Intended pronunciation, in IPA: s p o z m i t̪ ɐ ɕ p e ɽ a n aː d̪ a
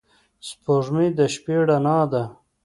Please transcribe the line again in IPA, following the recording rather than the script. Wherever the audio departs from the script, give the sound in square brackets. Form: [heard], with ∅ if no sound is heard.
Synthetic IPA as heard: s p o [ʐ] m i [d̪] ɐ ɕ p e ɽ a n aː d̪ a